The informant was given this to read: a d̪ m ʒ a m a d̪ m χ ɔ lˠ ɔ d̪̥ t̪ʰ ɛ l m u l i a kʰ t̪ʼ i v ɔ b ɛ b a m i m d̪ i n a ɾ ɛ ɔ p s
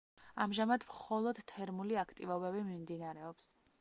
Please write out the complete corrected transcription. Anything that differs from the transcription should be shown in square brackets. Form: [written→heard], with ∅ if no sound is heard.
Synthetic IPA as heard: a [d̪→∅] m ʒ a m a d̪ m χ ɔ lˠ ɔ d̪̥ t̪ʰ ɛ [l→ɾ] m u l i a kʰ t̪ʼ i v ɔ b ɛ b [a→i] m i m d̪ i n a ɾ ɛ ɔ p s